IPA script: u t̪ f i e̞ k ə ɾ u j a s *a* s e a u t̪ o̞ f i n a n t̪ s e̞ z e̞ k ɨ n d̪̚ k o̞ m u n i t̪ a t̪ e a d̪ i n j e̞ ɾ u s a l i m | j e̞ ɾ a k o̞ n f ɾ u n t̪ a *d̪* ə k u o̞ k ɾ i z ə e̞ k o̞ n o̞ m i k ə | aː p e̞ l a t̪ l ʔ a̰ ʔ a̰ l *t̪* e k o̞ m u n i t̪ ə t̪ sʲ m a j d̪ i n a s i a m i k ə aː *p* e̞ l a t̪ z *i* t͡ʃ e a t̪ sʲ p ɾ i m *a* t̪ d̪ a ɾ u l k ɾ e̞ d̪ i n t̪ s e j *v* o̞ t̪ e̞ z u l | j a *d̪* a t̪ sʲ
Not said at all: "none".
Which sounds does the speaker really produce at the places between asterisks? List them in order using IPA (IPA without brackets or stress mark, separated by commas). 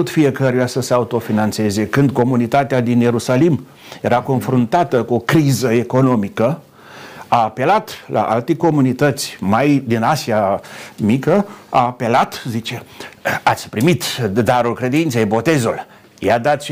ə, t̪, t̪, p, i, i, b, d̪